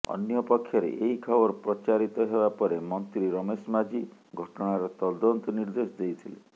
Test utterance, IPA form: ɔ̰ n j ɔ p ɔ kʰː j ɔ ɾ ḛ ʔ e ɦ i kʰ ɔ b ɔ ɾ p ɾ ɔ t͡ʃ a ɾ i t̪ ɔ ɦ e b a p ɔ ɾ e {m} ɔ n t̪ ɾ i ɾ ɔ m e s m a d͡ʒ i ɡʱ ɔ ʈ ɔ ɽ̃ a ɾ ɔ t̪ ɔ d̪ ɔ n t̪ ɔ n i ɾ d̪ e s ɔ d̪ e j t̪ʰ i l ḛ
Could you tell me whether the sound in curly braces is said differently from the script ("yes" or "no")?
no